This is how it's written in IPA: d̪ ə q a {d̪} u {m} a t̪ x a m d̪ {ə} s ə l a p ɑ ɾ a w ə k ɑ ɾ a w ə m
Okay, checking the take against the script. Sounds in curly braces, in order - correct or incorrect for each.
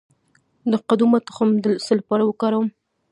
correct, correct, correct

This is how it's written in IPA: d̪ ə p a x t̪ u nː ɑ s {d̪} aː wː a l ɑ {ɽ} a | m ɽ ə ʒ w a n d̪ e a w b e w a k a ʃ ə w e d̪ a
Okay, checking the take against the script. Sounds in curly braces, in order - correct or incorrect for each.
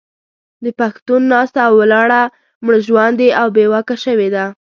incorrect, correct

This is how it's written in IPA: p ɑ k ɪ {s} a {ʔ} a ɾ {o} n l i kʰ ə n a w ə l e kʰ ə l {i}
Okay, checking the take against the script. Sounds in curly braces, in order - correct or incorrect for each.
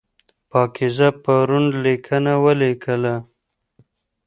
incorrect, incorrect, incorrect, incorrect

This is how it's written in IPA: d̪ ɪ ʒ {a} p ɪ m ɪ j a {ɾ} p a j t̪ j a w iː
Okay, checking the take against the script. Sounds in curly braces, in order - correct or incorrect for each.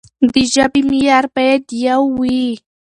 correct, correct

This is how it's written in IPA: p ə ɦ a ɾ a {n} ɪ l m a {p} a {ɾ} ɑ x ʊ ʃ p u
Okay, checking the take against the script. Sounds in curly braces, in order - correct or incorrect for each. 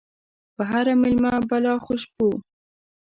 incorrect, incorrect, incorrect

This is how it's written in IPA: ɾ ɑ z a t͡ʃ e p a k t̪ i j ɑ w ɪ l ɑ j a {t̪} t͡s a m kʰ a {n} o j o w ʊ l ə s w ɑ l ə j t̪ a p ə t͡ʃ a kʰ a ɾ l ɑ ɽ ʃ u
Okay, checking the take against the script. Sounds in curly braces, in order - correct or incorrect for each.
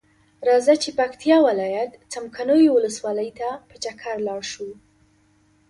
correct, correct

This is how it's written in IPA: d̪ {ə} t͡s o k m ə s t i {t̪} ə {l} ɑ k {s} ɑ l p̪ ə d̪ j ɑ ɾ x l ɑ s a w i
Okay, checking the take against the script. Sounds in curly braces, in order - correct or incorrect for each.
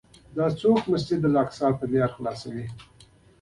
incorrect, incorrect, correct, correct

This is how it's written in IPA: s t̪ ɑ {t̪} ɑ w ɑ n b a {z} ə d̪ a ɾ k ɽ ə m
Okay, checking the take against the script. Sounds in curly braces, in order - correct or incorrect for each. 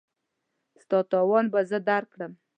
correct, correct

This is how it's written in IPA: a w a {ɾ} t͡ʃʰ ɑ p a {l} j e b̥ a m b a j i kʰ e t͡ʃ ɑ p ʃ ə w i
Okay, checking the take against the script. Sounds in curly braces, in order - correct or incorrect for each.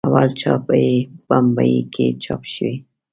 incorrect, incorrect

